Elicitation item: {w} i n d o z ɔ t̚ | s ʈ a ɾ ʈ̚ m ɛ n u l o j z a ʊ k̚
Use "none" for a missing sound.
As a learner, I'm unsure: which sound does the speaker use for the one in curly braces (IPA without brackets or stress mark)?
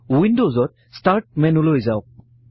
w